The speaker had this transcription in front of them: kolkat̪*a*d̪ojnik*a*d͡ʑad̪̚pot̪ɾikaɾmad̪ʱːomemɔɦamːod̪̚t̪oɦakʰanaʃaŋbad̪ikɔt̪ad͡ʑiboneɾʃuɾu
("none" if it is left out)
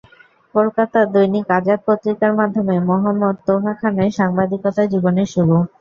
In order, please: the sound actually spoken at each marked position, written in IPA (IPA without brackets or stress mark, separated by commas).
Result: a, a